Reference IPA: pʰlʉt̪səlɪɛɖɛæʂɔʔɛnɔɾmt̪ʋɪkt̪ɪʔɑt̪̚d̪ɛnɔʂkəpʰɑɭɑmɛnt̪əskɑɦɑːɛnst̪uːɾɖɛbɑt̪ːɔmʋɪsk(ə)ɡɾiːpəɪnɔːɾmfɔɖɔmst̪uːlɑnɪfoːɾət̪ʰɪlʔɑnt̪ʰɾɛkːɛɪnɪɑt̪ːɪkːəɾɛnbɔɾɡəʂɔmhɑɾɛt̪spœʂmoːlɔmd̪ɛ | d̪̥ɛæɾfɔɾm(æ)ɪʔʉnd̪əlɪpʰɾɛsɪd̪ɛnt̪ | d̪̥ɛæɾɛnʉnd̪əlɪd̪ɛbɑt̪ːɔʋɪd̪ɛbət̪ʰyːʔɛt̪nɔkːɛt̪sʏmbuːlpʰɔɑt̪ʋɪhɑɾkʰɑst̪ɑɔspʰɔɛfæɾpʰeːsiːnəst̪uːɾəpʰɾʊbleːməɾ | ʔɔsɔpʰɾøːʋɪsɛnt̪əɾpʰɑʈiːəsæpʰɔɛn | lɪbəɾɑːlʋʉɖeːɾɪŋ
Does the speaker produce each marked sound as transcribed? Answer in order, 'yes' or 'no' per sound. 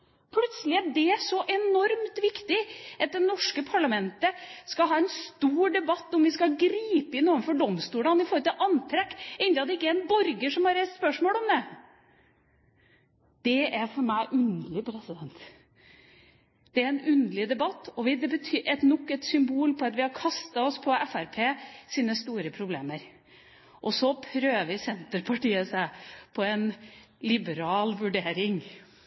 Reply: no, yes

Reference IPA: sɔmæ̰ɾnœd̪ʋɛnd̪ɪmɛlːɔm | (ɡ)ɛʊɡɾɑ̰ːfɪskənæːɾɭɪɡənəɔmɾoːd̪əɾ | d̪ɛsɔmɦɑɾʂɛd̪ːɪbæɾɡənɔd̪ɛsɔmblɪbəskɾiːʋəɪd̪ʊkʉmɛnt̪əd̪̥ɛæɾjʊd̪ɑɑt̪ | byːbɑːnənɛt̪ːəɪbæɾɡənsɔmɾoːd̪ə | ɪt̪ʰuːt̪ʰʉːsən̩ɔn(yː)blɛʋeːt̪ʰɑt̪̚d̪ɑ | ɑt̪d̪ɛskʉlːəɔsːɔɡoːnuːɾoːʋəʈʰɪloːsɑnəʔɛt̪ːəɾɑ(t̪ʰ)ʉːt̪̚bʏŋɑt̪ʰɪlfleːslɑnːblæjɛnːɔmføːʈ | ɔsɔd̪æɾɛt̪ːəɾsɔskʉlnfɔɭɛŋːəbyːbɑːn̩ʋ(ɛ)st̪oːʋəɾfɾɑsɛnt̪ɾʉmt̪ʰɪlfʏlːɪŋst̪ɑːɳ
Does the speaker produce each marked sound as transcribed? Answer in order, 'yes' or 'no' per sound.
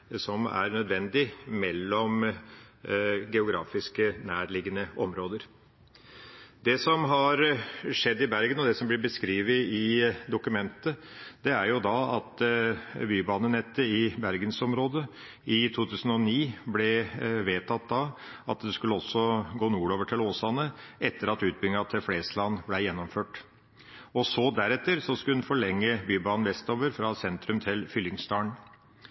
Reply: yes, no, no, yes

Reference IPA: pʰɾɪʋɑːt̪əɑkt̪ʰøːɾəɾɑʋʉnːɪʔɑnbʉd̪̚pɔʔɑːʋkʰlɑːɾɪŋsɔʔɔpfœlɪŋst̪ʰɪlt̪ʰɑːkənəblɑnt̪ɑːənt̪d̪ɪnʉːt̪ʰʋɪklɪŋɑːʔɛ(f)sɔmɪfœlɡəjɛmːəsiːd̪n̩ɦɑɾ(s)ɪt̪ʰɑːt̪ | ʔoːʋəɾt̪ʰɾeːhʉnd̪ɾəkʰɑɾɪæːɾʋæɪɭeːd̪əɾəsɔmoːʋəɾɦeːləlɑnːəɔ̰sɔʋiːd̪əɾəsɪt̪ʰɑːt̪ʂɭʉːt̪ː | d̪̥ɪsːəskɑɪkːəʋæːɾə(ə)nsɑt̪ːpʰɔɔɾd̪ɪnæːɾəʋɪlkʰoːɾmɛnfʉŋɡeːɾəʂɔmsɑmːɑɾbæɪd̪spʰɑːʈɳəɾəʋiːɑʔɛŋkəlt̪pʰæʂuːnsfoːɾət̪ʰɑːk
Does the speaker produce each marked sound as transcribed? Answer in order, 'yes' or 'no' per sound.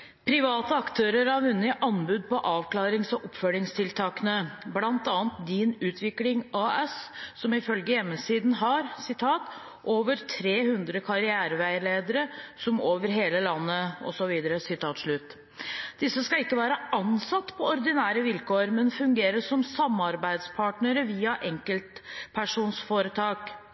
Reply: no, yes, no

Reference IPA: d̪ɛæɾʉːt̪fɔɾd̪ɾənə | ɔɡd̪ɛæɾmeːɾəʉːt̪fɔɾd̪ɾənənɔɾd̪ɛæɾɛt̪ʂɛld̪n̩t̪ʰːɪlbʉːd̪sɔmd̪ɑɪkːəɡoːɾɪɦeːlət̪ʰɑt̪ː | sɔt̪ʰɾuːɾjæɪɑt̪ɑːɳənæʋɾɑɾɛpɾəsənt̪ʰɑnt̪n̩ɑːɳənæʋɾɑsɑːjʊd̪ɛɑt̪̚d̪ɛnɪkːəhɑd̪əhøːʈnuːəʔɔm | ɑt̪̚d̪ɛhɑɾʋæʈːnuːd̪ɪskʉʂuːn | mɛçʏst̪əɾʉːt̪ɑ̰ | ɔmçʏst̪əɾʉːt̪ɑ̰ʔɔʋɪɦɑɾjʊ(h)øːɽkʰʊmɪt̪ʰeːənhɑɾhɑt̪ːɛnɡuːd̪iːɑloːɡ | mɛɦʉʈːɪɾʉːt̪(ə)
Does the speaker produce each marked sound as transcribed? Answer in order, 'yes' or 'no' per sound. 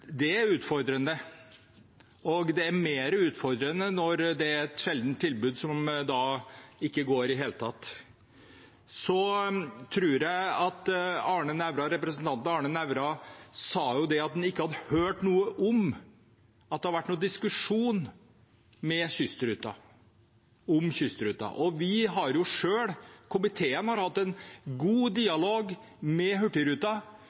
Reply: no, no

